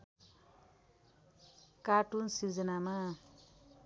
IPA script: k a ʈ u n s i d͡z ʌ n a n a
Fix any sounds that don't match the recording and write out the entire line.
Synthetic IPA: k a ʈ u n s i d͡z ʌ n a m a